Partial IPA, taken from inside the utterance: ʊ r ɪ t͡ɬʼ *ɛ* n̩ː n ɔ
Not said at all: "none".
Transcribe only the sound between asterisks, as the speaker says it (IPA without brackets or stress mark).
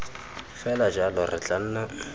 a